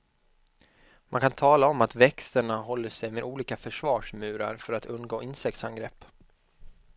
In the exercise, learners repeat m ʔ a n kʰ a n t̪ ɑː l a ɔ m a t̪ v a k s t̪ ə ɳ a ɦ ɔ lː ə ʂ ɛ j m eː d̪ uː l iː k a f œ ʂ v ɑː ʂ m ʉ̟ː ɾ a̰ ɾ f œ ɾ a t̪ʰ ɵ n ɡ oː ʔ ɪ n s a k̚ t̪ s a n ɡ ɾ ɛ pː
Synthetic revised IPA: m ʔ a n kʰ a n t̪ʰ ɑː l a ɔ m a t̪ v ɛ k s t̪ ə ɳ a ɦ ɔ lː ə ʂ ɛ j m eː d̪ uː l iː k a f œ ʂ v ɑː ʂ m ʉ̟ː ɾ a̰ ɾ f œ ɾ a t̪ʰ ɵ n ɡ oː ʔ ɪ n s ɛ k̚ t̪ s a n ɡ ɾ ɛ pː